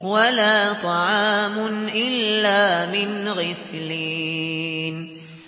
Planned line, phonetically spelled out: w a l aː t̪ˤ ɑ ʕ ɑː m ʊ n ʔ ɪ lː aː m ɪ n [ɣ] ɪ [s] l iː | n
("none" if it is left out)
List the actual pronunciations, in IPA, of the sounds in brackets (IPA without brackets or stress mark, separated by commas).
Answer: ɣ, s